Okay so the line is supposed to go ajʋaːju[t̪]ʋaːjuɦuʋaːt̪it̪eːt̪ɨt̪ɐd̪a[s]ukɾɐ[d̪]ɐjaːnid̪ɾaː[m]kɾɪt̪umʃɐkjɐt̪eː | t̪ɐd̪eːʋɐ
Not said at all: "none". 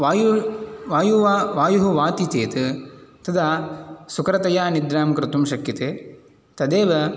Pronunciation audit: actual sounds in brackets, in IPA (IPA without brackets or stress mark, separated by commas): none, s, t̪, m